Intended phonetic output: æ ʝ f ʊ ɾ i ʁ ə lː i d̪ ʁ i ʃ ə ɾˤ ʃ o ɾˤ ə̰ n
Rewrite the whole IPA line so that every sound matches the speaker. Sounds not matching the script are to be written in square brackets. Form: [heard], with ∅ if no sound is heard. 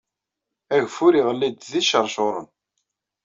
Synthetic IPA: æ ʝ f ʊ ɾ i ʁ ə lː i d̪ [ð] i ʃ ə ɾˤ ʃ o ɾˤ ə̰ n